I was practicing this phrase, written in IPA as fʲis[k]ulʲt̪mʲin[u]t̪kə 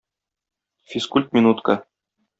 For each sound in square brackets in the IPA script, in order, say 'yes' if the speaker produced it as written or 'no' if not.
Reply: yes, yes

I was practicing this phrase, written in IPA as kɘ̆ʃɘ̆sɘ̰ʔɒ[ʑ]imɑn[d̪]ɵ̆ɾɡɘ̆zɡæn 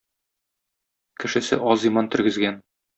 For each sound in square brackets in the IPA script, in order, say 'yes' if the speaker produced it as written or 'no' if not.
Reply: no, no

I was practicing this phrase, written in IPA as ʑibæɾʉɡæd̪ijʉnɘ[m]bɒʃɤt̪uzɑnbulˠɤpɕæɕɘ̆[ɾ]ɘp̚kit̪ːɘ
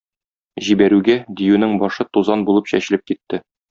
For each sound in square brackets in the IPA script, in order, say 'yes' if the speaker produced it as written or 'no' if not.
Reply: no, no

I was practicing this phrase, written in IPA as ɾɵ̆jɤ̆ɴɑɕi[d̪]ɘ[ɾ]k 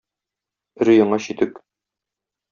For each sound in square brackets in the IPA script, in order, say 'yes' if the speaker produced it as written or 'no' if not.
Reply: no, no

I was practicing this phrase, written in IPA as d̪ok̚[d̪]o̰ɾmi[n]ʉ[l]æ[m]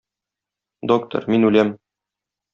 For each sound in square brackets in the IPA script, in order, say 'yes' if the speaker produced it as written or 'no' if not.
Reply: no, yes, yes, yes

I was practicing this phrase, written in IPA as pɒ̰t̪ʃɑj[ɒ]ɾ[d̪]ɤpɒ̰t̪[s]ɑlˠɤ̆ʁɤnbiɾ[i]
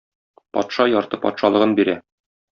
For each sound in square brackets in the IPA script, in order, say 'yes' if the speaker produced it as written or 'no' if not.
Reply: yes, no, no, no

